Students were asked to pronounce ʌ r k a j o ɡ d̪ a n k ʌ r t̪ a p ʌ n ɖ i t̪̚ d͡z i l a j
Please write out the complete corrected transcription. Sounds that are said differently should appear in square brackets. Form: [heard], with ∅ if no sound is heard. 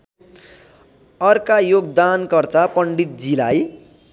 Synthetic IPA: ʌ r k a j o ɡ d̪ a n k ʌ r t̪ a p ʌ [ɳ] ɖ i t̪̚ d͡z i l a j